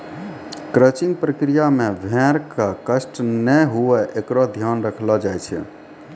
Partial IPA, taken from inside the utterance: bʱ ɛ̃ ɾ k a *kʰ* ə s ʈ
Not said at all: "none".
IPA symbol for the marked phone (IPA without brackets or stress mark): k